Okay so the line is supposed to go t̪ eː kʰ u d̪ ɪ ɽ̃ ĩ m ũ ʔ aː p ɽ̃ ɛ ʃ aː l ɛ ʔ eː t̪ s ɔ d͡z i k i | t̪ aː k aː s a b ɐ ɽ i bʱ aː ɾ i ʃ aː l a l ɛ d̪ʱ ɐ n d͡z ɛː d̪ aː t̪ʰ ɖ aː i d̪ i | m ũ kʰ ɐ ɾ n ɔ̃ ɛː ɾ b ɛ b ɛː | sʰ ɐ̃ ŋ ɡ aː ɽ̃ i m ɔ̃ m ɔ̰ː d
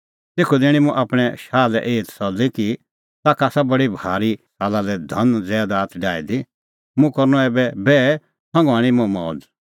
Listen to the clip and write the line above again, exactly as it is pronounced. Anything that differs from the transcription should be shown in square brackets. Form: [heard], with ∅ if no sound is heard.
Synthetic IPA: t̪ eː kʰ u d̪ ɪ ɽ̃ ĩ m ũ ʔ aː p ɽ̃ ɛ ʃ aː l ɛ ʔ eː t̪ s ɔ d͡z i k i | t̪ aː k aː s a b ɐ ɽ i bʱ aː ɾ i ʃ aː l a l ɛ d̪ʱ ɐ n d͡z ɛː d̪ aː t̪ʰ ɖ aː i d̪ i | m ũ [k] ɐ ɾ n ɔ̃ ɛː [∅] b ɛ b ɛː | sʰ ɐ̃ ŋ ɡ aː ɽ̃ i m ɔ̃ m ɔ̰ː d